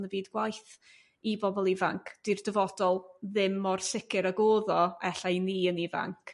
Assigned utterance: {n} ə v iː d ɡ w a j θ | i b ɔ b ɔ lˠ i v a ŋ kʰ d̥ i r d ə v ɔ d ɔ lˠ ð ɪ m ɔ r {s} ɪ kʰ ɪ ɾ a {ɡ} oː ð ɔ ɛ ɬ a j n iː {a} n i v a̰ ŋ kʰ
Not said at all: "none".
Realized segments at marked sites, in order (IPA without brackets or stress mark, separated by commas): n, s, ɡ, ə